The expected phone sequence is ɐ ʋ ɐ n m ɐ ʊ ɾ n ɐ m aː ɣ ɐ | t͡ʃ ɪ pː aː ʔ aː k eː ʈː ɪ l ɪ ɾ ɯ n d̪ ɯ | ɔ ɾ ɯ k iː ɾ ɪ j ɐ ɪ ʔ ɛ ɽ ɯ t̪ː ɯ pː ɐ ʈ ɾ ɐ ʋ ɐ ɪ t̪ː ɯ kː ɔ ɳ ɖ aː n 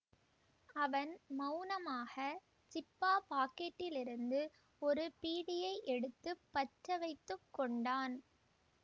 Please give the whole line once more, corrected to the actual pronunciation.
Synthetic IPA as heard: ɐ ʋ ɐ n m ɐ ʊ n ɐ m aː ɣ ɐ | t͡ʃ ɪ pː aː p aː k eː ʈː ɪ l ɪ ɾ ɯ n d̪ ɯ | ɔ ɾ ɯ p iː ɽ ɪ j ɐ ɪ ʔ ɛ ɽ ɯ t̪ː ɯ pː ɐ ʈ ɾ ɐ ʋ ɐ ɪ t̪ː ɯ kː ɔ ɳ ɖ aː n